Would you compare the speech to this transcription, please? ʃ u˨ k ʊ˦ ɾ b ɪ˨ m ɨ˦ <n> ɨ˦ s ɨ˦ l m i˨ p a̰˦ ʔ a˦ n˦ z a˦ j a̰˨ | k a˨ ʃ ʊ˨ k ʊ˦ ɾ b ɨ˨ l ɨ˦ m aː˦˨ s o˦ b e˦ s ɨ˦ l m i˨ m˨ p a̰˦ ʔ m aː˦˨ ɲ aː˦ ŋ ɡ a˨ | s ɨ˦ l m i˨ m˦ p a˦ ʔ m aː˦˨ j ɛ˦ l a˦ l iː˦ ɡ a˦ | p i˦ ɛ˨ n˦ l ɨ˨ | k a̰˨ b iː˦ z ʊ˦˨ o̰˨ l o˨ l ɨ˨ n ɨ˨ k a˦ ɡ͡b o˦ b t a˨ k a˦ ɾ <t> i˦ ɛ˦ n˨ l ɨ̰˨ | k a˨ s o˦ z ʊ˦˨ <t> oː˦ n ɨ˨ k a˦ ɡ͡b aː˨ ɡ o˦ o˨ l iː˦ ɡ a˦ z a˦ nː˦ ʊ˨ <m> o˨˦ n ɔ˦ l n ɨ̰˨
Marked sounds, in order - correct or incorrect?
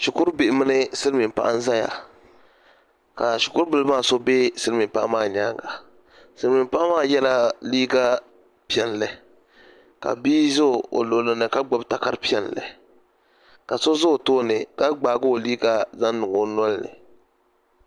correct, incorrect: p, correct, incorrect: ŋ

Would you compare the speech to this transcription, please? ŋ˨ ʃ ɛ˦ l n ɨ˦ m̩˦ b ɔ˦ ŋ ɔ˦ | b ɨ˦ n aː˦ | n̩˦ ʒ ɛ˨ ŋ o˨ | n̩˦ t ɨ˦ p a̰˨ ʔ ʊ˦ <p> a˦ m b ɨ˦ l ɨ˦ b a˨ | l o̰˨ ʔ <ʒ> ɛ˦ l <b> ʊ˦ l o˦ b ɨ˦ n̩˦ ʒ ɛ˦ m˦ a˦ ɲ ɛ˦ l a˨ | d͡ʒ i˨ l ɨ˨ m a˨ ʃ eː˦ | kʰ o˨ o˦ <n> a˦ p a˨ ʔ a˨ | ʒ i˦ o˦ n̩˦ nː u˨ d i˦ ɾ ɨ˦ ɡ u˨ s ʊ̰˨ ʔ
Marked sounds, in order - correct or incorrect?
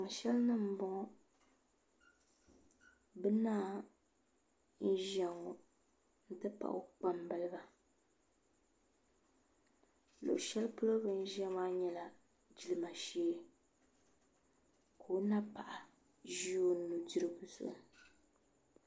incorrect: k͡p, incorrect: ʃ, incorrect: p, correct

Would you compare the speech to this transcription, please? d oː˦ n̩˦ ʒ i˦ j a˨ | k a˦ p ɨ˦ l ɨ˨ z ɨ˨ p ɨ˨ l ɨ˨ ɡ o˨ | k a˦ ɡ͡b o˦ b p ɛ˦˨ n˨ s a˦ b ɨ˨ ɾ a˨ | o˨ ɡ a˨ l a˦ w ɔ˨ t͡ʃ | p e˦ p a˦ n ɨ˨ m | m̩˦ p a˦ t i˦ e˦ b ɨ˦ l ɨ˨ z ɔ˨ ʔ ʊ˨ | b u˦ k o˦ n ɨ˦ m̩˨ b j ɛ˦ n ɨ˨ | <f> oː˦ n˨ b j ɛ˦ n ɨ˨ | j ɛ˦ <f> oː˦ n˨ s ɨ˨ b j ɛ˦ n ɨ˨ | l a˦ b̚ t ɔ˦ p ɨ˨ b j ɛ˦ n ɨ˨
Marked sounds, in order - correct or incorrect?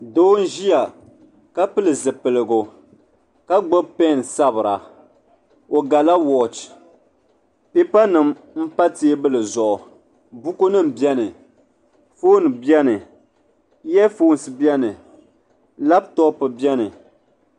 correct, correct

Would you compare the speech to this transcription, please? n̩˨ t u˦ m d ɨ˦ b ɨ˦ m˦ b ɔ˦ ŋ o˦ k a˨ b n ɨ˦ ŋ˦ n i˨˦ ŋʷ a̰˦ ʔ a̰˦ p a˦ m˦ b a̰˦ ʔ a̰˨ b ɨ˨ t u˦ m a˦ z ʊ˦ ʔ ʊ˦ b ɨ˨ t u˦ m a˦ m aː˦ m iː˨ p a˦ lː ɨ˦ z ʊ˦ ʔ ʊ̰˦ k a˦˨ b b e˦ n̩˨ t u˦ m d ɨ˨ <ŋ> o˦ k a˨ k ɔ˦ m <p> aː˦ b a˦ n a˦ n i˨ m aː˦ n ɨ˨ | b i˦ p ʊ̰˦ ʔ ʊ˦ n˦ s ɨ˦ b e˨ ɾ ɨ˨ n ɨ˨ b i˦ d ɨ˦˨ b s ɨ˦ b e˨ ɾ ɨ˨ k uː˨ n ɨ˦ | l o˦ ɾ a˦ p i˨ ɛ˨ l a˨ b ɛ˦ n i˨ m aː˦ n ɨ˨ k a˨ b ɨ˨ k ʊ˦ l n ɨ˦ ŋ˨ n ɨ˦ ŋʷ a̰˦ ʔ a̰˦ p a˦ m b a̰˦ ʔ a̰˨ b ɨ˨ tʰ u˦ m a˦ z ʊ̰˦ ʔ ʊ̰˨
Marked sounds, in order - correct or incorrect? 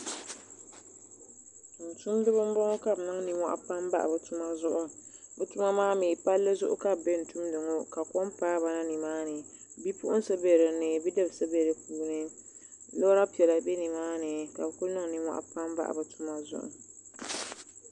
correct, correct

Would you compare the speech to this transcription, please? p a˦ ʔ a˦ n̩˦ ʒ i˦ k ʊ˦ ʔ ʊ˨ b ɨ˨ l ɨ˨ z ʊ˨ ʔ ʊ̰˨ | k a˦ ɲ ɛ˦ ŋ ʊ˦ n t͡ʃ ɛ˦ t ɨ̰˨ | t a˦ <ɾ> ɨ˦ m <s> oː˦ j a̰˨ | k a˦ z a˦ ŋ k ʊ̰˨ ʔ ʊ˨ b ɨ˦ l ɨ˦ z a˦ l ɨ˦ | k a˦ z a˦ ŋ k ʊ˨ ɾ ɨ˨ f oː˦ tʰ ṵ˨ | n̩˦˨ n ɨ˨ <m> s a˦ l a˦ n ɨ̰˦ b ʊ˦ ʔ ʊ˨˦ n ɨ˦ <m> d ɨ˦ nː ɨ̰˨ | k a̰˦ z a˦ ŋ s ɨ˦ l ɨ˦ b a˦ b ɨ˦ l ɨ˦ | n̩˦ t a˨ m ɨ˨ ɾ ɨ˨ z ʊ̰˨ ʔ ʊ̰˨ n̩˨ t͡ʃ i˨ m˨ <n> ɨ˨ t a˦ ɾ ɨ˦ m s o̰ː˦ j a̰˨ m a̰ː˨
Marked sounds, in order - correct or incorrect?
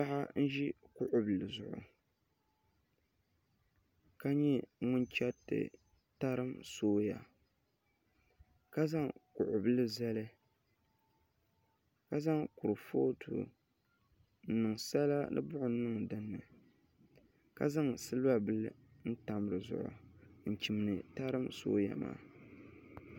correct, correct, incorrect: ŋ, incorrect: ŋ, correct

